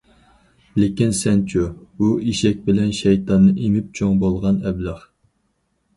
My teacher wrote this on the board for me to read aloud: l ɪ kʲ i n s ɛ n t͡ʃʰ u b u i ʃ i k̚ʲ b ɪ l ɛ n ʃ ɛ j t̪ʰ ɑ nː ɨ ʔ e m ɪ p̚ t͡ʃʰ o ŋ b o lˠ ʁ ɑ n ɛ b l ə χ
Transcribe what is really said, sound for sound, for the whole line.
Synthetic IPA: l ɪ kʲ i n s ɛ n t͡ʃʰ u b u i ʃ ɛ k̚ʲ b ɪ l ɛ n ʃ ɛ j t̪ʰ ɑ nː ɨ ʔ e m ɪ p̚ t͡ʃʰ o ŋ b o lˠ ʁ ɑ n ɛ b l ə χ